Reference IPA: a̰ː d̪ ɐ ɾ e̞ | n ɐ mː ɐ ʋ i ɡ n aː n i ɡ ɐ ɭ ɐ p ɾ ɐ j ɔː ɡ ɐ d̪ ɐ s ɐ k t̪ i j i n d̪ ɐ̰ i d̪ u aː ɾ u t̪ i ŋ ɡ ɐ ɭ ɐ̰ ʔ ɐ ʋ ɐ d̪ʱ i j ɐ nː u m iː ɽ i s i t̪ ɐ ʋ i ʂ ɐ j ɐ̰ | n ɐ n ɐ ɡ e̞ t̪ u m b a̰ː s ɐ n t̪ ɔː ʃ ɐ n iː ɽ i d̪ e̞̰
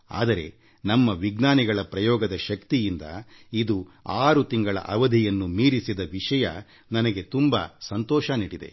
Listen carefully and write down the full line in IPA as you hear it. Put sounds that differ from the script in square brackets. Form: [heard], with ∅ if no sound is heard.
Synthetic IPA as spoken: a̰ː d̪ ɐ ɾ e̞ | n ɐ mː ɐ ʋ i ɡ n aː n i ɡ ɐ ɭ ɐ p ɾ ɐ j ɔː ɡ ɐ d̪ ɐ [ʃ] ɐ k t̪ i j i n d̪ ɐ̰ i d̪ u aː ɾ u t̪ i ŋ ɡ ɐ ɭ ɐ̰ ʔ ɐ ʋ ɐ d̪ʱ i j ɐ nː u m iː [ɾ] i s i [d̪] ɐ ʋ i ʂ ɐ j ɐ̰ | n ɐ n ɐ ɡ e̞ t̪ u m b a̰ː s ɐ n t̪ ɔː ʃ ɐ n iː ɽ i d̪ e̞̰

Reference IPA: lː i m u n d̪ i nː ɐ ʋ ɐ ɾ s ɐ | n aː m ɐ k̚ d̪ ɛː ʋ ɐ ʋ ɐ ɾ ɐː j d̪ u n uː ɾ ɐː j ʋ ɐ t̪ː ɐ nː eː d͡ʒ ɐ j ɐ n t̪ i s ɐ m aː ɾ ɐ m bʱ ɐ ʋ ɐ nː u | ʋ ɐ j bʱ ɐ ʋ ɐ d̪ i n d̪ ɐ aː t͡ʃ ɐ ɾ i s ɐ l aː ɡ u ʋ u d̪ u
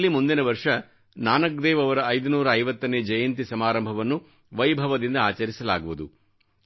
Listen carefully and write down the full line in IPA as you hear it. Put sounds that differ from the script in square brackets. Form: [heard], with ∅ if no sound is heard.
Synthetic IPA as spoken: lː i m u n d̪ i [n] ɐ ʋ ɐ ɾ [ʂ] ɐ | n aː [n] ɐ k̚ d̪ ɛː ʋ ɐ ʋ ɐ ɾ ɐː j d̪ u n uː ɾ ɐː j ʋ ɐ t̪ː ɐ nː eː d͡ʒ ɐ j ɐ n t̪ i s ɐ m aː ɾ ɐ m bʱ ɐ ʋ ɐ nː u | ʋ ɐ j bʱ ɐ ʋ ɐ d̪ i n d̪ ɐ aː t͡ʃ ɐ ɾ i s ɐ l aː ɡ u ʋ u d̪ u

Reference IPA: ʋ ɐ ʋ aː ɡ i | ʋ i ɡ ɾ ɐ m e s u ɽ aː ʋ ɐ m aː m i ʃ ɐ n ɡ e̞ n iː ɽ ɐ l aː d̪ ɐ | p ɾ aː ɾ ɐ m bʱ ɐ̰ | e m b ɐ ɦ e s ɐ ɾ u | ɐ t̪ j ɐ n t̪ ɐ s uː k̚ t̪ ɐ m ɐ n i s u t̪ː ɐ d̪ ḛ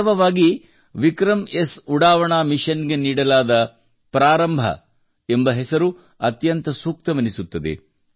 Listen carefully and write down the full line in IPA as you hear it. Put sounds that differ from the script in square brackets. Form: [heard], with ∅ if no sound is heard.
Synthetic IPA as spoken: ʋ ɐ ʋ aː ɡ i | ʋ i [k] ɾ ɐ m e s u ɽ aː ʋ ɐ [ɳ] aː m i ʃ ɐ n ɡ e̞ n iː ɽ ɐ l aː d̪ ɐ | p ɾ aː ɾ ɐ m bʱ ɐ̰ | e m b ɐ ɦ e s ɐ ɾ u | ɐ t̪ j ɐ n t̪ ɐ s uː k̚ t̪ ɐ m ɐ n i s u t̪ː ɐ d̪ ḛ

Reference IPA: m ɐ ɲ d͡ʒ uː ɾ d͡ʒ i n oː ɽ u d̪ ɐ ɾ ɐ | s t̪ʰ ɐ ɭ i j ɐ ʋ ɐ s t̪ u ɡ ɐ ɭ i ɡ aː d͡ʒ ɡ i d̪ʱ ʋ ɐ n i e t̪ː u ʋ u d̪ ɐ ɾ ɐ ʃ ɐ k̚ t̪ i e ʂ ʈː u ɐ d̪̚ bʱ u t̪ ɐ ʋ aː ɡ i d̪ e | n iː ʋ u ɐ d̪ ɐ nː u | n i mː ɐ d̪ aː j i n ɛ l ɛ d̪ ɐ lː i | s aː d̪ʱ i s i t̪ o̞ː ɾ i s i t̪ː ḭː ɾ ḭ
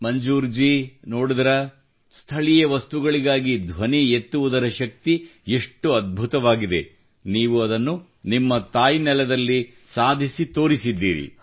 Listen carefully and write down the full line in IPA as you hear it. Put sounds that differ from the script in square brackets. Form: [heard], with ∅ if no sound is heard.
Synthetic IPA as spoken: m ɐ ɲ d͡ʒ uː ɾ d͡ʒ i n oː ɽ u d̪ ɐ ɾ ɐ | s t̪ʰ ɐ ɭ i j ɐ ʋ ɐ s t̪ u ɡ ɐ ɭ i ɡ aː [∅] ɡ i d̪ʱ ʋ ɐ n i e t̪ː u ʋ u d̪ ɐ ɾ ɐ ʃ ɐ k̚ t̪ i e ʂ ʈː u ɐ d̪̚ bʱ u t̪ ɐ ʋ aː ɡ i d̪ e | n iː ʋ u ɐ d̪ ɐ nː u | n i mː ɐ [t̪] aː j i n ɛ l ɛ d̪ ɐ lː i | s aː d̪ʱ i s i t̪ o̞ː ɾ i s i [d̪ː] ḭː ɾ ḭ

